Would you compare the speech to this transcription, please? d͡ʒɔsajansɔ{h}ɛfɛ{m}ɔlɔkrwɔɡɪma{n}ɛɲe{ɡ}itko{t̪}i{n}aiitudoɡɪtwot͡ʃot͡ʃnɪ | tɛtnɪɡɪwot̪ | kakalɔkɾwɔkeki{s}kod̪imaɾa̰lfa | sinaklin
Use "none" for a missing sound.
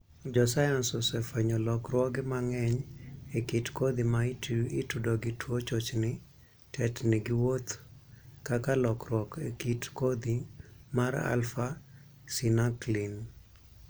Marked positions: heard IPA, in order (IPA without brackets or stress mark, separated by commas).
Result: s, ɲ, ŋ, k, d̪, m, t